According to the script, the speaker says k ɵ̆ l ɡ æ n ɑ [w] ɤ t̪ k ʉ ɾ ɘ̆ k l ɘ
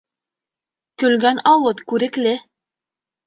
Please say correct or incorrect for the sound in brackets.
correct